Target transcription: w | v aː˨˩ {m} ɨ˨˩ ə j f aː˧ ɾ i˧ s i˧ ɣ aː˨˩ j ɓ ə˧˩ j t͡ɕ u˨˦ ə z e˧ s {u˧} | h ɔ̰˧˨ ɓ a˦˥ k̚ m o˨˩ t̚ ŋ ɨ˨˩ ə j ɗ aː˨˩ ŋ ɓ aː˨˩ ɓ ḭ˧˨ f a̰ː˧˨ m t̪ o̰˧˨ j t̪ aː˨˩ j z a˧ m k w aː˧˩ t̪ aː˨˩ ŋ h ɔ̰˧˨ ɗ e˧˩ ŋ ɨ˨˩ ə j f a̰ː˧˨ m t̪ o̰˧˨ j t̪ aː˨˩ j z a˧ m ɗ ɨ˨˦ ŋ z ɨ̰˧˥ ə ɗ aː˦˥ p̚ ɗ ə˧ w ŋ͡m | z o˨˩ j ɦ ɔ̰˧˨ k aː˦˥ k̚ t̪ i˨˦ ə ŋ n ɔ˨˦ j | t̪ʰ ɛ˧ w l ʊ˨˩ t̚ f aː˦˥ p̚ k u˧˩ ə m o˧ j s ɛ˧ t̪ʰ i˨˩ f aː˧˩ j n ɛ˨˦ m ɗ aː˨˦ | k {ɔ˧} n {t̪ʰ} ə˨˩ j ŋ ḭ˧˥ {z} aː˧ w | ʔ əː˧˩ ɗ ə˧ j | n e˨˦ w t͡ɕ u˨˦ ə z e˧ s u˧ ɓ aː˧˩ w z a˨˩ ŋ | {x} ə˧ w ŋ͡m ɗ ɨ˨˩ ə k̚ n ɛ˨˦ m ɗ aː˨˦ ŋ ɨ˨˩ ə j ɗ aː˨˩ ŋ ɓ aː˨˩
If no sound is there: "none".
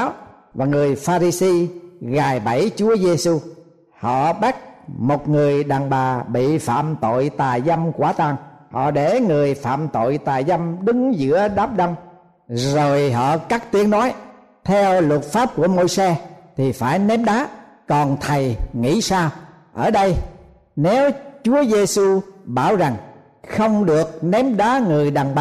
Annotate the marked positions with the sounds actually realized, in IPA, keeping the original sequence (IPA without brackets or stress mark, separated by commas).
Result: ŋ, u˧, ɔ˨˩, t̪ʰ, s, x